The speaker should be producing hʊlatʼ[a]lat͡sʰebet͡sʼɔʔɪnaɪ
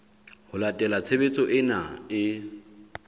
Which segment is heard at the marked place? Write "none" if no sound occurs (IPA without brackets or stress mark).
ɛ